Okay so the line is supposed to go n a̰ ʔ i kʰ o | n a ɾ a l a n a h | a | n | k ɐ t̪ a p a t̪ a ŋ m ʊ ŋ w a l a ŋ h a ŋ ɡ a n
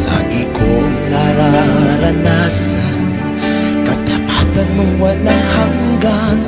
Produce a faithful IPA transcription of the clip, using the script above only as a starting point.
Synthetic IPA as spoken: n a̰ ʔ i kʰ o | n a ɾ a ɾ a n a s | a | n | k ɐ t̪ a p a t̪ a n m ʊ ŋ w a l a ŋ h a ŋ ɡ a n